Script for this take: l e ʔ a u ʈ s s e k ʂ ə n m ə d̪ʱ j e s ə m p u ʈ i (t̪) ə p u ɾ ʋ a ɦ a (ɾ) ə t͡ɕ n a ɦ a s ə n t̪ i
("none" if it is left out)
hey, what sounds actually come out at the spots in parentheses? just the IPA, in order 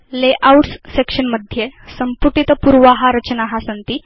t̪, ɾ

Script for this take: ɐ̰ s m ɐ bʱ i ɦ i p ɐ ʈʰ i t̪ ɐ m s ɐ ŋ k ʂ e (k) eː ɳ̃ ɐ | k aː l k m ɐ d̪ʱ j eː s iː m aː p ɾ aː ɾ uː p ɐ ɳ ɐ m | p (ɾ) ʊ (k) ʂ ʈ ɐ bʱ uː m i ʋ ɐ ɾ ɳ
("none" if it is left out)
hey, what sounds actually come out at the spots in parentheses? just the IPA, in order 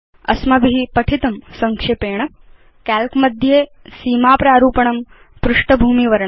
p, ɾ, none

